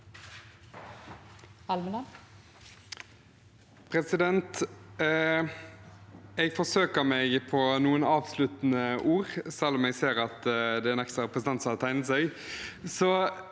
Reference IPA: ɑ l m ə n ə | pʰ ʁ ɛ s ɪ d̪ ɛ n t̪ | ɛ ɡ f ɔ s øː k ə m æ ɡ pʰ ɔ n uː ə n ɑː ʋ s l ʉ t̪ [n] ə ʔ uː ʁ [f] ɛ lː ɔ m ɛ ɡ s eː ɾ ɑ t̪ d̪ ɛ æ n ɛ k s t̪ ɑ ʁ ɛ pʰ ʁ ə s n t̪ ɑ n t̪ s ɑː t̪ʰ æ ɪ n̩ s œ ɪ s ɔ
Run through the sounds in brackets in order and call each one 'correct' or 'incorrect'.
correct, incorrect

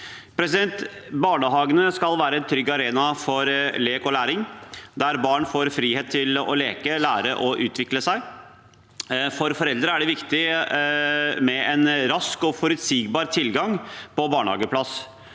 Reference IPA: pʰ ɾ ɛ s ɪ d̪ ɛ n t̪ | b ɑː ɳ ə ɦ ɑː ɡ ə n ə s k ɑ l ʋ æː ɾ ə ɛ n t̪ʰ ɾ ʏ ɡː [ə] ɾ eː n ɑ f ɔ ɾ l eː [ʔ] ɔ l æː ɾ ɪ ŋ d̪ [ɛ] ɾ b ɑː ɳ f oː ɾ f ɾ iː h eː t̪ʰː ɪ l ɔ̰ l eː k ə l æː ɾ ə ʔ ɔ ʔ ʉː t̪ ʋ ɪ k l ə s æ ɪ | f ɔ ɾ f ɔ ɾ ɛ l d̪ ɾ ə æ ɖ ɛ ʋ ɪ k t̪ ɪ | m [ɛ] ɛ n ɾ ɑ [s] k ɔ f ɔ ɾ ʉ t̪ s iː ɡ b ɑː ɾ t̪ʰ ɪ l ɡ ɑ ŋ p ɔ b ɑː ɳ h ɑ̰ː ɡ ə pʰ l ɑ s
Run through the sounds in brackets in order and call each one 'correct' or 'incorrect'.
incorrect, incorrect, incorrect, correct, correct

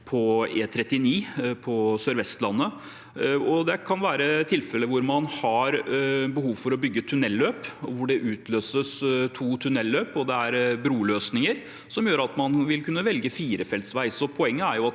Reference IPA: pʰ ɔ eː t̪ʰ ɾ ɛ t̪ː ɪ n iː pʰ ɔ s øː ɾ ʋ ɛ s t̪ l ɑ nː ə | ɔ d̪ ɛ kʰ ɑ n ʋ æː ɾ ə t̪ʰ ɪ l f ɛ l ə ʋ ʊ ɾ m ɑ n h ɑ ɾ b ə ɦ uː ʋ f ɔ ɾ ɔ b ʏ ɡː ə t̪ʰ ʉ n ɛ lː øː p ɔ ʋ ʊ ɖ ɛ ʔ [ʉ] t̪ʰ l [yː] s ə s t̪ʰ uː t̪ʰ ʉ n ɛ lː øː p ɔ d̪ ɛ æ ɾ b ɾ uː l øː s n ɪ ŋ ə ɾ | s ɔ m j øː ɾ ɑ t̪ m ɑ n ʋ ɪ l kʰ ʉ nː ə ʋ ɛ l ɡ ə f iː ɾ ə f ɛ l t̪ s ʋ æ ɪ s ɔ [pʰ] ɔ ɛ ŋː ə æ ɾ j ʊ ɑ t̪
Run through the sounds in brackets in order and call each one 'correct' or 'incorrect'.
incorrect, incorrect, correct

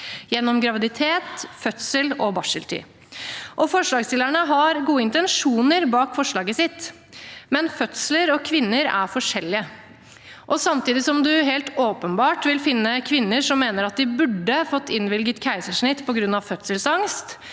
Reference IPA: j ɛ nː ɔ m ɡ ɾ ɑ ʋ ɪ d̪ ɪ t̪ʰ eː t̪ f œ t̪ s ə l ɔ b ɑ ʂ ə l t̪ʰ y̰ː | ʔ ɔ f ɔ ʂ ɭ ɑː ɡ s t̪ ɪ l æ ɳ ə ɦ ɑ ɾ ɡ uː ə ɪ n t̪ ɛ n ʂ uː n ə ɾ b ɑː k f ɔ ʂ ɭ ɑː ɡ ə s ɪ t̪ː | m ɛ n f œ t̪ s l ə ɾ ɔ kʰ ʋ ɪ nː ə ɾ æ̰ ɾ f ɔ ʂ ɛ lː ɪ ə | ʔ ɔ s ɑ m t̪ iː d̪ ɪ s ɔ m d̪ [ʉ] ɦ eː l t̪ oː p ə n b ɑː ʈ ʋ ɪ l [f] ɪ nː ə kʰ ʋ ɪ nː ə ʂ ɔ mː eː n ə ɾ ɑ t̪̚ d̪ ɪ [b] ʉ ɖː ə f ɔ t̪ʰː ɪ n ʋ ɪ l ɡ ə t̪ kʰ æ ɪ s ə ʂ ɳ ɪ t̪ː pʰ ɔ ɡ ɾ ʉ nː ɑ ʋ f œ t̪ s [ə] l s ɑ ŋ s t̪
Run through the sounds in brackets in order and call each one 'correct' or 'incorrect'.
correct, correct, correct, correct

